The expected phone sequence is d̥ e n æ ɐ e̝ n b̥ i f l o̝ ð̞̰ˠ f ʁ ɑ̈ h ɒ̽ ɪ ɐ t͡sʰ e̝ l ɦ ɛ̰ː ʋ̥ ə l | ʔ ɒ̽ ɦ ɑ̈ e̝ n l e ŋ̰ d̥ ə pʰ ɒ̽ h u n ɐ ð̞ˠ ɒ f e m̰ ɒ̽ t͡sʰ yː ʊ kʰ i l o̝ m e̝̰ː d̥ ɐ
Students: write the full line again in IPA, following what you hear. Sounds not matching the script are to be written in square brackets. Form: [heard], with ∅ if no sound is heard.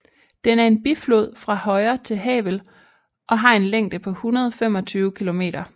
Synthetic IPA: d̥ e n æ ɐ e̝ n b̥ i f l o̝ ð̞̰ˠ f ʁ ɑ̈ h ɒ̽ ɪ ɐ t͡sʰ e̝ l ɦ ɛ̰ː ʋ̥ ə l | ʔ ɒ̽ ɦ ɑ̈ e̝ n l e ŋ̰ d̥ ə pʰ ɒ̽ h u n ɐ ð̞ˠ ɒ f e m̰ ɒ̽ t͡sʰ yː ʊ kʰ i l o̝ m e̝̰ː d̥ ɐ

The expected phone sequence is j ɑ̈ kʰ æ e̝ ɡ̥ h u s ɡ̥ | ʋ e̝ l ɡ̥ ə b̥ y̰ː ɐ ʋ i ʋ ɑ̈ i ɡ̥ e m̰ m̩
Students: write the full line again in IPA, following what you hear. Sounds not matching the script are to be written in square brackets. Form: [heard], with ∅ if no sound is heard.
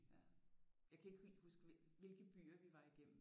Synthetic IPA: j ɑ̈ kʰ æ e̝ ɡ̥ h u s ɡ̥ | ʋ e̝ l ɡ̥ ə b̥ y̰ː ɐ ʋ i ʋ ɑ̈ i ɡ̥ e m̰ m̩

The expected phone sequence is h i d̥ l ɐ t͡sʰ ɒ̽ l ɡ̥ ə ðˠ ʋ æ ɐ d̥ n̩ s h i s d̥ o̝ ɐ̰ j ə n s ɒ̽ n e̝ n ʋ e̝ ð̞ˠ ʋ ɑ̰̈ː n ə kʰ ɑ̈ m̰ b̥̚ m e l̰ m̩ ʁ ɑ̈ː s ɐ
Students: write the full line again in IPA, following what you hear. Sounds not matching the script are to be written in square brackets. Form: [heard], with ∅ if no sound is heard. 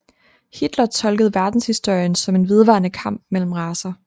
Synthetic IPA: h i d̥ l ɐ t͡sʰ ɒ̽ l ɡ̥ ə ðˠ ʋ æ ɐ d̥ n̩ s h i s d̥ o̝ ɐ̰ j ə n s ɒ̽ [m] e̝ n ʋ e̝ ð̞ˠ ʋ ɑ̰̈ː n ə kʰ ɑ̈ m̰ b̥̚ m e l̰ m̩ ʁ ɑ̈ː s ɐ

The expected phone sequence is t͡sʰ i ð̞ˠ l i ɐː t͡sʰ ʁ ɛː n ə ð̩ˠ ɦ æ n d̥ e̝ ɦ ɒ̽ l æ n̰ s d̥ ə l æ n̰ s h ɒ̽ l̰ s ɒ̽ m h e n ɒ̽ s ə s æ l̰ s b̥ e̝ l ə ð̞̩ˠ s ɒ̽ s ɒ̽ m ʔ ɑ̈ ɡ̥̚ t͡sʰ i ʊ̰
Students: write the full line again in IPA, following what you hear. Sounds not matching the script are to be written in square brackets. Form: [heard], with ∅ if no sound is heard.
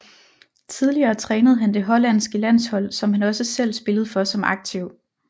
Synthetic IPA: t͡sʰ i ð̞ˠ l i ɐː t͡sʰ ʁ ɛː n ə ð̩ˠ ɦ æ n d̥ e̝ ɦ ɒ̽ l æ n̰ s [ɡ̥] ə l æ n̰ s h ɒ̽ l̰ s ɒ̽ m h [æ] n ɒ̽ s ə s [e] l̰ s b̥ e̝ l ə ð̞̩ˠ [f] ɒ̽ s ɒ̽ m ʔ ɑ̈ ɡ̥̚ t͡sʰ i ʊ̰

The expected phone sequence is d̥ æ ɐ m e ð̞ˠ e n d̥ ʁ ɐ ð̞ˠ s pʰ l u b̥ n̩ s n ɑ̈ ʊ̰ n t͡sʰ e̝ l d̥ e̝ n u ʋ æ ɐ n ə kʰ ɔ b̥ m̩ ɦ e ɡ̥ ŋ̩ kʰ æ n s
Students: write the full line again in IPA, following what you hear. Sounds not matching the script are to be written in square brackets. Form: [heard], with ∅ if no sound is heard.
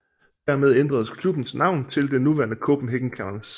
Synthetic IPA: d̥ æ ɐ m e ð̞ˠ e n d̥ ʁ ɐ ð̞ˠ s [kʰ] l u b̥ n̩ s n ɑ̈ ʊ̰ n t͡sʰ e̝ l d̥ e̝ n u ʋ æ ɐ n ə kʰ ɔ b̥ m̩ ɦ e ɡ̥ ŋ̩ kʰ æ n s

